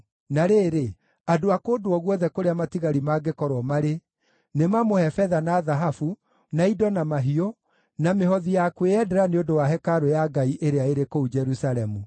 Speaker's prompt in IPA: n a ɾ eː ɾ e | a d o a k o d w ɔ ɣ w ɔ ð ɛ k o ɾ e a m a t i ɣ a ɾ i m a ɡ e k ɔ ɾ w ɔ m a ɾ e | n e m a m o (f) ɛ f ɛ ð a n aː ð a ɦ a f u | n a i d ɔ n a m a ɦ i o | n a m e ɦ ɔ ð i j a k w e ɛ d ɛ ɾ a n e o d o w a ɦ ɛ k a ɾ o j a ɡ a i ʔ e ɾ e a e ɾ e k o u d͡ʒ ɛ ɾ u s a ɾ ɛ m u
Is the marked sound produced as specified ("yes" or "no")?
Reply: no